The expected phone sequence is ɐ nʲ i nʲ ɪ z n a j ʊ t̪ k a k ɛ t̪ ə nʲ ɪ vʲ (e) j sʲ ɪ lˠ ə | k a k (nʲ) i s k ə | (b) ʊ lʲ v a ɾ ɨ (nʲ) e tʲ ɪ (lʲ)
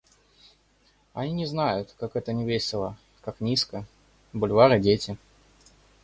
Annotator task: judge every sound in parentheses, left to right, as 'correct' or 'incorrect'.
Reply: correct, correct, correct, incorrect, incorrect

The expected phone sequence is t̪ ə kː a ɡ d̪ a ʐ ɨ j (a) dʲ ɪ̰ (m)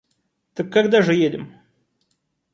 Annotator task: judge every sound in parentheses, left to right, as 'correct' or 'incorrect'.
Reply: incorrect, correct

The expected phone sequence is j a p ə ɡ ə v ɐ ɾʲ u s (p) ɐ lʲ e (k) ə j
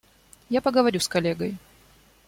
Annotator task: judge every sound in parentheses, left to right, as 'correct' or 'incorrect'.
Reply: incorrect, incorrect

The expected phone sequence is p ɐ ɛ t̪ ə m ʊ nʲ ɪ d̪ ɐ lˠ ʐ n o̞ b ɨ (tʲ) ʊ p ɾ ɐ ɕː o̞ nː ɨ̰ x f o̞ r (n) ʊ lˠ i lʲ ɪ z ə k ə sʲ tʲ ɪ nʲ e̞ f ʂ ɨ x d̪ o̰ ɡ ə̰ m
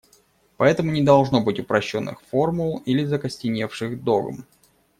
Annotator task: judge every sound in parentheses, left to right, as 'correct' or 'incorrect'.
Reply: correct, incorrect

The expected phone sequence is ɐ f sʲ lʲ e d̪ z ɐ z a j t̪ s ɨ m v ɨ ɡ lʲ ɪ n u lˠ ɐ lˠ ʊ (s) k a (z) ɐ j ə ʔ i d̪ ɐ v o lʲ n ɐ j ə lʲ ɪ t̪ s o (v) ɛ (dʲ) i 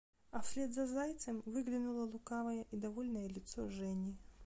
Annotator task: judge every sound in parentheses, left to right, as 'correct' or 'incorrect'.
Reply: incorrect, incorrect, incorrect, incorrect

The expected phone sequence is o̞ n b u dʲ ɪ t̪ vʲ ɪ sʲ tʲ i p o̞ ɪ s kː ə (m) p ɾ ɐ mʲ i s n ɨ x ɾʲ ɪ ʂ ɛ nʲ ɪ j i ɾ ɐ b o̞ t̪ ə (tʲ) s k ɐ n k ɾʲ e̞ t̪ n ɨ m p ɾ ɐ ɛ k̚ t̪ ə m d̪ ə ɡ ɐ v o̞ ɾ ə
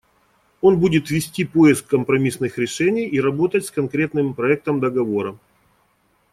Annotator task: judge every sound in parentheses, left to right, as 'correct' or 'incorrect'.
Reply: correct, correct

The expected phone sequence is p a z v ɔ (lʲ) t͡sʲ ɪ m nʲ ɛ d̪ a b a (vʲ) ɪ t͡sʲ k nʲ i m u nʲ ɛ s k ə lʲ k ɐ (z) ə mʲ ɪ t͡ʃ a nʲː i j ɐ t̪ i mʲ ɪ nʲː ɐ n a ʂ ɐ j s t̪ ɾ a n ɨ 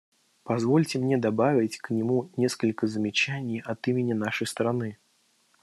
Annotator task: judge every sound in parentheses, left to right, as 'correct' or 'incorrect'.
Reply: correct, correct, correct

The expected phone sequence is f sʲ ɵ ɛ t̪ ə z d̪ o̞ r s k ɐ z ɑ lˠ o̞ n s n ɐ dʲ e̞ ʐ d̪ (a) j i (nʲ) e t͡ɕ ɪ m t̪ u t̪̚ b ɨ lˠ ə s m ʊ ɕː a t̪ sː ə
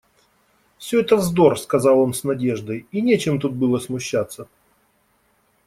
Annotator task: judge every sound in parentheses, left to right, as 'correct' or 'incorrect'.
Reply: incorrect, correct

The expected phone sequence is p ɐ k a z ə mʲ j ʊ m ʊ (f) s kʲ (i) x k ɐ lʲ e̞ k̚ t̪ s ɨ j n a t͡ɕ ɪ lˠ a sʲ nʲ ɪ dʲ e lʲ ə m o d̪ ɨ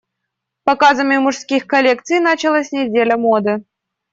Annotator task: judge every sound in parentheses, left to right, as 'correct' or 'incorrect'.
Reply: incorrect, correct

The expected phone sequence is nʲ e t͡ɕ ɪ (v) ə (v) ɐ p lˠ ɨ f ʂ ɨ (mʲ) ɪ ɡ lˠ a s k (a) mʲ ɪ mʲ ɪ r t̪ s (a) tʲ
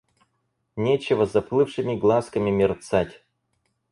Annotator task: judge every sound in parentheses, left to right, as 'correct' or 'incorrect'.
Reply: correct, incorrect, correct, incorrect, correct

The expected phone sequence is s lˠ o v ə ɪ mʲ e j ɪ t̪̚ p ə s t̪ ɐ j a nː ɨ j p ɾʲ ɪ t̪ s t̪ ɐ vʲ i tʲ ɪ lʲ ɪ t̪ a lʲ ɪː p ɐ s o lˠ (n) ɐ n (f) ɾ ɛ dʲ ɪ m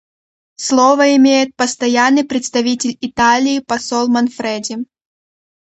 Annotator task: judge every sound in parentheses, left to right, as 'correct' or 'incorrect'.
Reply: incorrect, correct

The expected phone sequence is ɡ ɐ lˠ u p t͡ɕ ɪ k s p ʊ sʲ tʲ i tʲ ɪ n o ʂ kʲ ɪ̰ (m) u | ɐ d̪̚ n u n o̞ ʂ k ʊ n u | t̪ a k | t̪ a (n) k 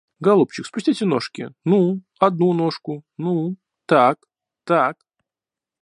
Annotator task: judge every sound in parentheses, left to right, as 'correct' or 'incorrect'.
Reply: incorrect, incorrect

